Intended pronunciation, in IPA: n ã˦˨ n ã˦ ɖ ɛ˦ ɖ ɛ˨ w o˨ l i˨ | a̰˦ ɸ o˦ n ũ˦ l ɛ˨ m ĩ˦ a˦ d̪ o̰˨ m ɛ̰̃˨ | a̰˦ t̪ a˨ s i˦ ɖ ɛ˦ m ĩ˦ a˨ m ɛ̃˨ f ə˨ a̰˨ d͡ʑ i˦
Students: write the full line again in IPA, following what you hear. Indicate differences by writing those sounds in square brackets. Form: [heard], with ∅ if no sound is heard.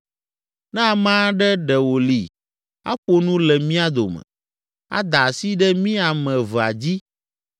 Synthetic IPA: n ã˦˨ [m] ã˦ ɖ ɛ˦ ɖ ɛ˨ w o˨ l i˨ | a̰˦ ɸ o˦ n ũ˦ l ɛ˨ m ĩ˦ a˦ d̪ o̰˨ m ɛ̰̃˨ | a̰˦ [d̪] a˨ s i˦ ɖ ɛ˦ m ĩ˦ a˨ m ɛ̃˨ [v] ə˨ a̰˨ d͡ʑ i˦

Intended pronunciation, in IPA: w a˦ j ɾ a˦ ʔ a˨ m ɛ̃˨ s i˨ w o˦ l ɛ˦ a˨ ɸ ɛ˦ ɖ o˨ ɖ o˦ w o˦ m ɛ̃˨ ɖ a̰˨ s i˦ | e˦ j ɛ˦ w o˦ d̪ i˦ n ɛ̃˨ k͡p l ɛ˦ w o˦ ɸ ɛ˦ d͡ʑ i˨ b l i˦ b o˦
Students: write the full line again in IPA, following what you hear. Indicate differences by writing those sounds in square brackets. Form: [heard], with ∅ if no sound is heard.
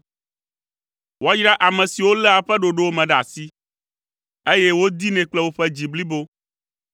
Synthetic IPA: w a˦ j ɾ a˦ ʔ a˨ m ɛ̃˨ s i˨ w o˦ l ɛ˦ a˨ ɸ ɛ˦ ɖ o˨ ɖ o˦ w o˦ m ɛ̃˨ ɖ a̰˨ s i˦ | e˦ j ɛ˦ w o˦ d̪ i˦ n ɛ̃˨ k͡p l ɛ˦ w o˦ ɸ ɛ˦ d͡ʑ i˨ b l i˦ b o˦

